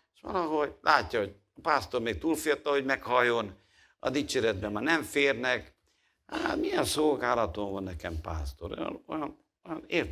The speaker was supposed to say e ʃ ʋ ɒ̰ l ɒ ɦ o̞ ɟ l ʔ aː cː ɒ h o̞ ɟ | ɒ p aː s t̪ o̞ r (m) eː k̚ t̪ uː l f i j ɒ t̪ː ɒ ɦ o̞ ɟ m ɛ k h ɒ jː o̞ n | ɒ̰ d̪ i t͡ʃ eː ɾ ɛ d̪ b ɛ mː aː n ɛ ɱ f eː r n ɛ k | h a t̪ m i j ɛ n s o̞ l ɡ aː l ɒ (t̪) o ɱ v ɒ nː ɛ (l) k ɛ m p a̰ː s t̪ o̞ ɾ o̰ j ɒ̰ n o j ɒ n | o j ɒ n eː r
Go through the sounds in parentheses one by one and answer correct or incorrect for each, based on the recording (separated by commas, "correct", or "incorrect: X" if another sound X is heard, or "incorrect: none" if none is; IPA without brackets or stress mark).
correct, correct, incorrect: none